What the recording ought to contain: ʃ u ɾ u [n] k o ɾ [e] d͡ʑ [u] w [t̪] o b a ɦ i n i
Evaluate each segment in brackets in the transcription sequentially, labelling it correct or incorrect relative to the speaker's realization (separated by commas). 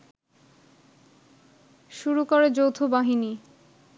incorrect, correct, incorrect, incorrect